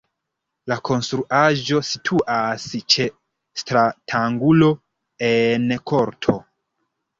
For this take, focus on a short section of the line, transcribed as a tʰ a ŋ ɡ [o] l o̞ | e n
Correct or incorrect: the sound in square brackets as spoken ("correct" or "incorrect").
incorrect